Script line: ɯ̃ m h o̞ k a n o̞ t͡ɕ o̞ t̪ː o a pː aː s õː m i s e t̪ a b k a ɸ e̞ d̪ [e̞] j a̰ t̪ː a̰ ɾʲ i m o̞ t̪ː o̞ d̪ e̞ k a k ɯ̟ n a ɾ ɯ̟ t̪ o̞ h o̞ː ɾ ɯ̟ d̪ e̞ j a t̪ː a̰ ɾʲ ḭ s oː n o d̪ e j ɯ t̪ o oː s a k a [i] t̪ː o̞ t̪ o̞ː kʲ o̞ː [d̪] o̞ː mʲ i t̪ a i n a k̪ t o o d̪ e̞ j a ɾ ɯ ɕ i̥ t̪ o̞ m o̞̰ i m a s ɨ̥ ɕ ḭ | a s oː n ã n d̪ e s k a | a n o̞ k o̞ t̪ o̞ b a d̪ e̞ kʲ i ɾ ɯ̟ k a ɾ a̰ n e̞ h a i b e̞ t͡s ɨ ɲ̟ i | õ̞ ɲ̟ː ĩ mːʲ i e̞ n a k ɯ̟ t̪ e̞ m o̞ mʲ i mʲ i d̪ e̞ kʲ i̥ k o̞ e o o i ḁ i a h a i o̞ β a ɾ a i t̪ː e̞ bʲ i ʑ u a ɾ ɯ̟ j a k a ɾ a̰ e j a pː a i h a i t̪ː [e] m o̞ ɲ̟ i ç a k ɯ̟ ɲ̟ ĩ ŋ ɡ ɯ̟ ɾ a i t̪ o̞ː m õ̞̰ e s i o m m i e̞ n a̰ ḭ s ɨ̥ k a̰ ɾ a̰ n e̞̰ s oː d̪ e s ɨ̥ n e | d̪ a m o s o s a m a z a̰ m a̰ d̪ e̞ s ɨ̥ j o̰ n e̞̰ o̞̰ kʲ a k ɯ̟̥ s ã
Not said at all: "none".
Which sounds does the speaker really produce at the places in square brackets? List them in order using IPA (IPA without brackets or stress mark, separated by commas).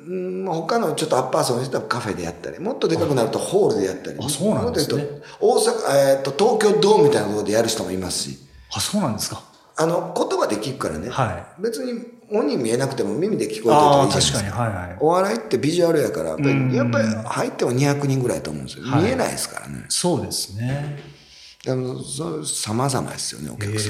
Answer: e̞, e, d̪, e